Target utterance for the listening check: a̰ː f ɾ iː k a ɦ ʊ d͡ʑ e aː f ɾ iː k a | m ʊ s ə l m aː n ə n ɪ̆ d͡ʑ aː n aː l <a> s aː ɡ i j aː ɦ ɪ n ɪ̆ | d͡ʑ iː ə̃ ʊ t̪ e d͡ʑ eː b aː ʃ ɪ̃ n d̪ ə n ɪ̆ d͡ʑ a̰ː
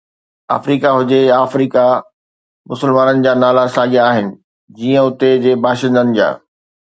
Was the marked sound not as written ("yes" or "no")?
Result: no